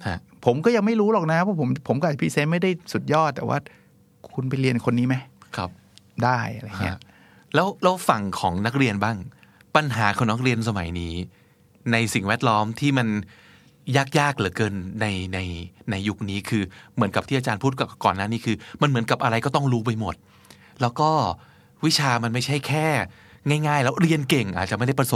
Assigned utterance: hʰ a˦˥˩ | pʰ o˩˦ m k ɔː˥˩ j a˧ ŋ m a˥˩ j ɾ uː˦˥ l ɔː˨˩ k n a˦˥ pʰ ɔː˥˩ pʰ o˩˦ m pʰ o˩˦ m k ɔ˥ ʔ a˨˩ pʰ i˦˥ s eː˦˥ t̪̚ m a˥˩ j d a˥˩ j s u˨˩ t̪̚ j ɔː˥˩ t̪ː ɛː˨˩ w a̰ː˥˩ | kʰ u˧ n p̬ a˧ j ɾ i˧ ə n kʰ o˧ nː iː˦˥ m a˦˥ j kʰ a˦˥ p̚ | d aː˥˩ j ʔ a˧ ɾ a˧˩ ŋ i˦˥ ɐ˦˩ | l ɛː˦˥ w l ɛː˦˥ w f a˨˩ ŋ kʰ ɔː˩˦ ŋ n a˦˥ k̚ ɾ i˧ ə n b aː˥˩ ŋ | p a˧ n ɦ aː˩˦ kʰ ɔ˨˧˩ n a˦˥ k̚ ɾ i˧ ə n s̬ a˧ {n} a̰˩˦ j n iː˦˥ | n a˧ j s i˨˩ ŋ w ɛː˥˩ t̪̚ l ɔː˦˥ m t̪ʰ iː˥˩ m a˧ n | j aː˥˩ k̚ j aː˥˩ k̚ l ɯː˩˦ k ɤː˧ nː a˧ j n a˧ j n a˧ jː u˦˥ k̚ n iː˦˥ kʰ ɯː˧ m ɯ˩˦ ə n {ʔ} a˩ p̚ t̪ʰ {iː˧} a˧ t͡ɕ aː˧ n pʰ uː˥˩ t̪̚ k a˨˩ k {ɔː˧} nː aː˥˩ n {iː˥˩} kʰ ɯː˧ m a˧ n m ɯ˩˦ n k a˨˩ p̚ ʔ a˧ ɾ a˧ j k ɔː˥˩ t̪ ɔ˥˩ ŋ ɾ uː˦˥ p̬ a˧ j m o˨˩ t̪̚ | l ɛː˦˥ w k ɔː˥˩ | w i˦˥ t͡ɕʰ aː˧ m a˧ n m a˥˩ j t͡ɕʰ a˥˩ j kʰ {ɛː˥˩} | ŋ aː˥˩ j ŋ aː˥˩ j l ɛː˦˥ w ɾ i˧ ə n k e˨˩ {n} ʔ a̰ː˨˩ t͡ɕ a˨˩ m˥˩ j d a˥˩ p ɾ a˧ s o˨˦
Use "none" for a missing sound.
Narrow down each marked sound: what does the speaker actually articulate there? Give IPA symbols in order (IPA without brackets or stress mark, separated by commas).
m, k, iː˥˩, ɔː˨˩, iː˦˥, ɛː˥˩, ŋ